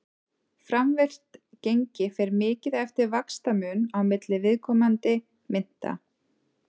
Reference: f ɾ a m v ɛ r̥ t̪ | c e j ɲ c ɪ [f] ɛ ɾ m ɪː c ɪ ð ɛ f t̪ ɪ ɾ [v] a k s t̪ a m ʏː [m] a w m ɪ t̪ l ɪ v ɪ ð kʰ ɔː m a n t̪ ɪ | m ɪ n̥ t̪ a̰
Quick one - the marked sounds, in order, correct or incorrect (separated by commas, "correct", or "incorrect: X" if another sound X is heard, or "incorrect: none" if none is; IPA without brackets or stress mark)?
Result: correct, correct, incorrect: n